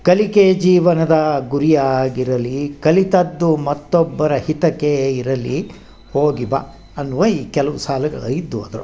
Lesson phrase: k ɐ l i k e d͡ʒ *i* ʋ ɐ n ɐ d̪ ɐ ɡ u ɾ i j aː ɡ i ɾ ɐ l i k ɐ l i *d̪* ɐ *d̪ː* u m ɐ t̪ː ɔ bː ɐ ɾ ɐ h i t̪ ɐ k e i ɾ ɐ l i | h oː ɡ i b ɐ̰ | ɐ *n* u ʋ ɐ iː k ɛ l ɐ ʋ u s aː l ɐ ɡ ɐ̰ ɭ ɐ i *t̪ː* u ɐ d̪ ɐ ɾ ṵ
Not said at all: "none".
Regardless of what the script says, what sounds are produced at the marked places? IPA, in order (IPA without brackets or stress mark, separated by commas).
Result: iː, t̪, d̪ː, nː, d̪ː